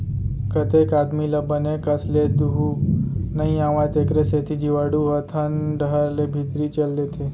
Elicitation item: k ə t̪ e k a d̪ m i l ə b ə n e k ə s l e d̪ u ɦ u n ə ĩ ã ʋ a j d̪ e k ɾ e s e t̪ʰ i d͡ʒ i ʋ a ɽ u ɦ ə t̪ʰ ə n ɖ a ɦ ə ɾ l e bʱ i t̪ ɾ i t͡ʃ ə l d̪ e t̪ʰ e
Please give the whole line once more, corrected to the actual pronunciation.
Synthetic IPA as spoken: k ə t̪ e k a d̪ m i l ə b ə n e k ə s l e d̪ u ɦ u n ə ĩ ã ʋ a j t̪ e k ɾ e s e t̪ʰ i d͡ʒ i ʋ a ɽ u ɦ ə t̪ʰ ə n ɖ ə ɦ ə ɾ l e bʱ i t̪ ɾ i t͡ʃ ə l d̪ e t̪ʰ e